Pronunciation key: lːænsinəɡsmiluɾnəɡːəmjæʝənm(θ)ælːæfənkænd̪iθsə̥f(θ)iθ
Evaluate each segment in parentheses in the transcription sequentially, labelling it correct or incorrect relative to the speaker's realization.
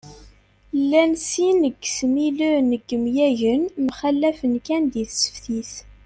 incorrect: χ, correct

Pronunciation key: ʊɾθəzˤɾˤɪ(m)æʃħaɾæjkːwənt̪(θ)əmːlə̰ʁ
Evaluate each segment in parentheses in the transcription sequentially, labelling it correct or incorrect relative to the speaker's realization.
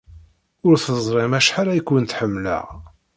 correct, incorrect: ħ

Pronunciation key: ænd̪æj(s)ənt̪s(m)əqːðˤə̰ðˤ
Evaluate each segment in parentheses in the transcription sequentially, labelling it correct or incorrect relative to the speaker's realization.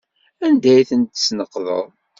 incorrect: θ, incorrect: n

